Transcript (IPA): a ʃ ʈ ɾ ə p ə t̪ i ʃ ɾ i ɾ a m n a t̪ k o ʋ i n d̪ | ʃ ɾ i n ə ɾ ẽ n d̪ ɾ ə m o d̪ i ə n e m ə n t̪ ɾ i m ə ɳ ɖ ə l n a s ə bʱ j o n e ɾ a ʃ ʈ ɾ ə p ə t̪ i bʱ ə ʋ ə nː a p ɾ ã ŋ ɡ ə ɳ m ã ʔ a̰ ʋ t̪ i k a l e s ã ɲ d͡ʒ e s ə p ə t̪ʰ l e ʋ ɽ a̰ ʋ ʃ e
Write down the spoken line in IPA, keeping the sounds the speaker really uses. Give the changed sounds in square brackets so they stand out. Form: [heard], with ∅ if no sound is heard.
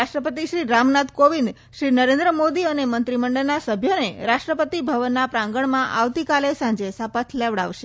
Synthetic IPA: a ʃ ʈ ɾ ə p ə t̪ i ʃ ɾ i ɾ a m n a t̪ k o ʋ i n d̪ | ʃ ɾ i n ə ɾ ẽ n d̪ ɾ ə m o d̪ i ə n e m ə n t̪ ɾ i m ə ɳ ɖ ə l n a s ə bʱ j o n e ɾ a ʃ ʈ ɾ ə p ə t̪ i bʱ ə ʋ ə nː a p ɾ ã ŋ ɡ ə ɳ m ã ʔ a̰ ʋ t̪ i k a l e s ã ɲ d͡ʒ e s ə p ə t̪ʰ l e ʋ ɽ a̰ ʋ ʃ e

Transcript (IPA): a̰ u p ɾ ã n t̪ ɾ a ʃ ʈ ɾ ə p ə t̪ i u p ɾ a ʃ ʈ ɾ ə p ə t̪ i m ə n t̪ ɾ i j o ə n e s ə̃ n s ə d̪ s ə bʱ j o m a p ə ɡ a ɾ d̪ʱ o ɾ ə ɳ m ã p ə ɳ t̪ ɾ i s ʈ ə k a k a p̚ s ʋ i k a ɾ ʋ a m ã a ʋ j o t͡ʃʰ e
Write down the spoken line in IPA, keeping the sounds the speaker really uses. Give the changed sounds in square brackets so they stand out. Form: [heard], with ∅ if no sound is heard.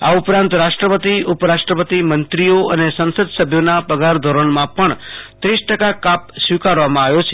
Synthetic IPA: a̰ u p ɾ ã n t̪ ɾ a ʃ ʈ ɾ ə p ə t̪ i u p ɾ a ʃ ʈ ɾ ə p ə t̪ i m ə n t̪ ɾ i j o ə n e s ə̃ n s ə d̪ s ə bʱ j o [n] a p ə ɡ a ɾ d̪ʱ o ɾ ə ɳ m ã p ə ɳ t̪ ɾ i s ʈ ə k a k a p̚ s ʋ i k a ɾ ʋ a m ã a ʋ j o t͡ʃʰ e

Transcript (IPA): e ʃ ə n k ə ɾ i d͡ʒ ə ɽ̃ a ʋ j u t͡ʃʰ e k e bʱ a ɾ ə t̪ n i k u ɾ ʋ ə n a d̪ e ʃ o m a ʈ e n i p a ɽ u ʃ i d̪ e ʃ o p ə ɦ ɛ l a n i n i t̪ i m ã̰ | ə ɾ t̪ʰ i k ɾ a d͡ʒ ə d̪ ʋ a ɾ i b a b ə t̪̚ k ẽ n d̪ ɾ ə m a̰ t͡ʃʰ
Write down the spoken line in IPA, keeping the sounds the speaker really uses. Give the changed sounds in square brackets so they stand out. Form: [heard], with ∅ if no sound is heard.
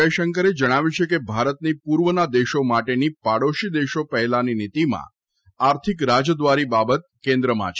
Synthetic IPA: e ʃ ə [ŋ] k ə ɾ [e] d͡ʒ ə ɽ̃ a ʋ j u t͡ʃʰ e k e bʱ a ɾ ə t̪ n i [p] u ɾ ʋ ə n a d̪ e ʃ o m a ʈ e n i p a ɽ [o] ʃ i d̪ e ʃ o p ə ɦ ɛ l a n i n i t̪ i m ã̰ | [a] ɾ t̪ʰ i k ɾ a d͡ʒ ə d̪ ʋ a ɾ i b a b ə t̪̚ k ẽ n d̪ ɾ ə m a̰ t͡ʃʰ

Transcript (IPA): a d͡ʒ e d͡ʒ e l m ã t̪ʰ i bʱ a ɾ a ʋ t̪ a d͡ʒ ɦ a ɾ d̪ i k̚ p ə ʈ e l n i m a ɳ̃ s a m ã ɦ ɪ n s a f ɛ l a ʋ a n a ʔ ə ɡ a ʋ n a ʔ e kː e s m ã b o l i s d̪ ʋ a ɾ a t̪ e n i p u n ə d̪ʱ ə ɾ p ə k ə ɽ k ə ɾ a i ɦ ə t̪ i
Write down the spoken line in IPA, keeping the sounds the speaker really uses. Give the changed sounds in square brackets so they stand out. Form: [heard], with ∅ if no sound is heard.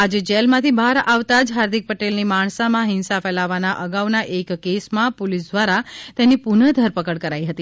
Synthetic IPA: a d͡ʒ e d͡ʒ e l m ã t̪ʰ i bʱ a ɾ a ʋ t̪ a d͡ʒ ɦ a ɾ d̪ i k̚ p ə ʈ e l n i m a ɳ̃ s a m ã ɦ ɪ n s a f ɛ l a ʋ a n a ʔ ə ɡ a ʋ n a ʔ e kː e s m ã [p] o l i s d̪ ʋ a ɾ a t̪ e n i p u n ə d̪ʱ ə ɾ p ə k ə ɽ k ə ɾ a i ɦ ə t̪ i

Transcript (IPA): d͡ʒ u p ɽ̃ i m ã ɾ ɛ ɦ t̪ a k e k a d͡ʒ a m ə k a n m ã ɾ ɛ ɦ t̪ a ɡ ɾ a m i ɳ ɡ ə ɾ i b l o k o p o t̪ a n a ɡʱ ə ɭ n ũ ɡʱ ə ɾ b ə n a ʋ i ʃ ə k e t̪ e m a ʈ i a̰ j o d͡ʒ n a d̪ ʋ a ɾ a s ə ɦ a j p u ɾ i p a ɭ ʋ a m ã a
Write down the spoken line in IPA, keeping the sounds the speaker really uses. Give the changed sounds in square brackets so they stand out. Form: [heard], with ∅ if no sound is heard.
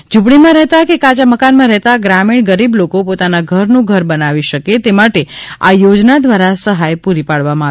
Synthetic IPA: d͡ʒ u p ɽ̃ i m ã ɾ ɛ ɦ t̪ a k e k a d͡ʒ a m ə k a n m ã ɾ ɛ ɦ t̪ a ɡ ɾ a m i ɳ ɡ ə ɾ i b l o k o p o t̪ a n a ɡʱ ə [ɾ] n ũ ɡʱ ə ɾ b ə n a ʋ i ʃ ə k e t̪ e m a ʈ [e] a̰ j o d͡ʒ n a d̪ ʋ a ɾ a s ə ɦ a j p u ɾ i p a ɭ ʋ a m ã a

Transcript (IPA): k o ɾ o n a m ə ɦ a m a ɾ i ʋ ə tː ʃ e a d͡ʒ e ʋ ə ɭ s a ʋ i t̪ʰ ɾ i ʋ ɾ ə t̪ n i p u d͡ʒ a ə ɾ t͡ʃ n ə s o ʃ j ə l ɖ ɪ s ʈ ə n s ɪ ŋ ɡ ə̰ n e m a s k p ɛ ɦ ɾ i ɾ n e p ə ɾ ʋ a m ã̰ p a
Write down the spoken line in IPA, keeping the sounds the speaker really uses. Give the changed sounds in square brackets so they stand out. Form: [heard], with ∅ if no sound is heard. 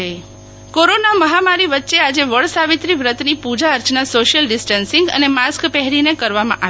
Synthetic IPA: k o ɾ o n a m ə ɦ a m a ɾ i ʋ ə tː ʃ e a d͡ʒ e ʋ ə ɭ s a ʋ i [t̪] ɾ i ʋ ɾ ə t̪ n i p u d͡ʒ a ə ɾ t͡ʃ n [a] s o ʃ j ə l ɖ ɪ s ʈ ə n s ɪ ŋ ɡ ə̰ n e m a s k p ɛ ɦ ɾ i [∅] n e [k] ə ɾ ʋ a m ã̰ [ʔ] a

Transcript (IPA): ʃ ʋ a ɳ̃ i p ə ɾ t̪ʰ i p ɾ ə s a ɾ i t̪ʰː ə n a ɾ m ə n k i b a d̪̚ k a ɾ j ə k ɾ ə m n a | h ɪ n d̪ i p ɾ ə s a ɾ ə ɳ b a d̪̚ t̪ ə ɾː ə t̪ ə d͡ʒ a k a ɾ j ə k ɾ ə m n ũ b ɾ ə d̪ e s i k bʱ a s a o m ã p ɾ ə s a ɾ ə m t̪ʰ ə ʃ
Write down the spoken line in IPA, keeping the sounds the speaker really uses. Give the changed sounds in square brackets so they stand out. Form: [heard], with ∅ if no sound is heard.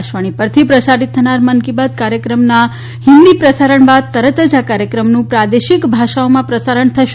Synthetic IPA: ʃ ʋ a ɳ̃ i p ə ɾ t̪ʰ i p ɾ ə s a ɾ i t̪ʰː ə n a ɾ m ə n k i b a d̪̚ k a ɾ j ə k ɾ ə m n a | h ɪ n d̪ i p ɾ ə s a ɾ ə ɳ b a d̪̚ t̪ ə [ɾ] ə t̪ ə d͡ʒ a k a ɾ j ə k ɾ ə m n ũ [p] ɾ [a] d̪ e [ʃ] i k bʱ a [ʃ] a o m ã p ɾ ə s a ɾ ə [ɳ] t̪ʰ ə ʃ

